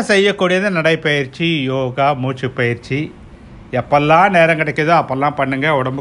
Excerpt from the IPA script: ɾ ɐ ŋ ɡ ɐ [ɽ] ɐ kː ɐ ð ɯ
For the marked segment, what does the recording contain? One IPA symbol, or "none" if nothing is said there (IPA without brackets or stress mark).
ɽ